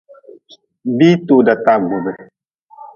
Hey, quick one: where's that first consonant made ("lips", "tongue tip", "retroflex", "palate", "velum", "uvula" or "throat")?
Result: lips